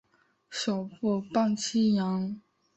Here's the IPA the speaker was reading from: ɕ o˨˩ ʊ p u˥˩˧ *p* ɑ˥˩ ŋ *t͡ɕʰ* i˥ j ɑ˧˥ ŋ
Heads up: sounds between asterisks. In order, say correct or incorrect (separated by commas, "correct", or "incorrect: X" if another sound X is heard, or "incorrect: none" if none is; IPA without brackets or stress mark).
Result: correct, correct